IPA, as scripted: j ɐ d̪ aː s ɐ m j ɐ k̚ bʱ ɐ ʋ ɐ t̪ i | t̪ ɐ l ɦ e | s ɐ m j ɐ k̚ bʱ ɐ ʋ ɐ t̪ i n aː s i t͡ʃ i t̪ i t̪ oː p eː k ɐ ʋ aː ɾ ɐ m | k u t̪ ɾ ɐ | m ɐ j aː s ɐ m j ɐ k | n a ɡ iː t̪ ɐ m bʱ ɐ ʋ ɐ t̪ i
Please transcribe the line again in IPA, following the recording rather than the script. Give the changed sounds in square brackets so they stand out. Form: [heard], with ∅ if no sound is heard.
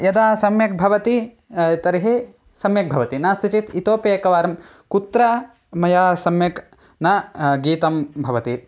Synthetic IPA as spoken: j ɐ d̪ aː s ɐ m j ɐ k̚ bʱ ɐ ʋ ɐ t̪ i | t̪ ɐ [ɾ] ɦ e | s ɐ m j ɐ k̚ bʱ ɐ ʋ ɐ t̪ i n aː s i t͡ʃ i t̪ i t̪ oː p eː k ɐ ʋ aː ɾ ɐ m | k u t̪ ɾ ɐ | m ɐ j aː s ɐ m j ɐ k | n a ɡ iː t̪ ɐ m bʱ ɐ ʋ ɐ t̪ i